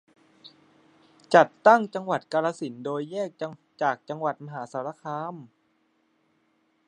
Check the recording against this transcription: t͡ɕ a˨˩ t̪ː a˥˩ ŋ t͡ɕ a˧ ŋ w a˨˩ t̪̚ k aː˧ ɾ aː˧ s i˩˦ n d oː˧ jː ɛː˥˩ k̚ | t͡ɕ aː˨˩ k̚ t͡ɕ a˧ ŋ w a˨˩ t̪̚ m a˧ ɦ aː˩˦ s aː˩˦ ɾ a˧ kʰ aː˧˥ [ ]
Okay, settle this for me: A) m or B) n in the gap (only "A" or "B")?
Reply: A